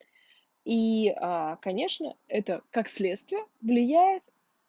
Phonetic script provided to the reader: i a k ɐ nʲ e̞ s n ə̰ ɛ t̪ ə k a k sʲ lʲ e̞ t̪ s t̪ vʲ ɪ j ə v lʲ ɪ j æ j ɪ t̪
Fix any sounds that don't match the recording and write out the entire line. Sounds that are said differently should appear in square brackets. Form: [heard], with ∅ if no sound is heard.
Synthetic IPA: i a k ɐ nʲ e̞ [ʂ] n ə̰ ɛ t̪ ə k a k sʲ lʲ e̞ t̪ s t̪ vʲ ɪ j ə v lʲ ɪ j æ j ɪ t̪